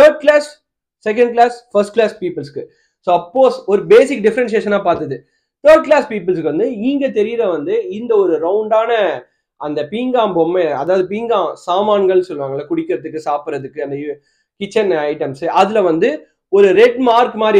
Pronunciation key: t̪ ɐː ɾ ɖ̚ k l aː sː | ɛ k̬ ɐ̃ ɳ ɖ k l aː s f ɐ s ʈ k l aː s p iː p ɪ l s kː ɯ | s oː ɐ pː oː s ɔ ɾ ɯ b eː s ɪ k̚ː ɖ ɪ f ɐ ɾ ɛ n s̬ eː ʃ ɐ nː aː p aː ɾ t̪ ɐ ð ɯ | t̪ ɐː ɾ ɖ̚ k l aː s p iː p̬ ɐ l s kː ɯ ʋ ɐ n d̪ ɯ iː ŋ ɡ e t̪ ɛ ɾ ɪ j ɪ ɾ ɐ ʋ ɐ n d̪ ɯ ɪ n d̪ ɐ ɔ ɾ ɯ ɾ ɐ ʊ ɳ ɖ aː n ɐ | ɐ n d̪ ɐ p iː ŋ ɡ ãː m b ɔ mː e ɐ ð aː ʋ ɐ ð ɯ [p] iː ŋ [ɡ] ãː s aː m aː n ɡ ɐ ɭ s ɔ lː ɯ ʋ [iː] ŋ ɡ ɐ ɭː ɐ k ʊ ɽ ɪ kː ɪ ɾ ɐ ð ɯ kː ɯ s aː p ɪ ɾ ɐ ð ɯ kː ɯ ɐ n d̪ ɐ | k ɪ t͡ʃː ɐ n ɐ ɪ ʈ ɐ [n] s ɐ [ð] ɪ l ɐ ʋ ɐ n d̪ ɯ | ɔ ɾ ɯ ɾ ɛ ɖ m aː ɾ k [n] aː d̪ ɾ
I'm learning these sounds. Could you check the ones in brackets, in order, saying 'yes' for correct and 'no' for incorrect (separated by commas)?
yes, yes, no, no, yes, no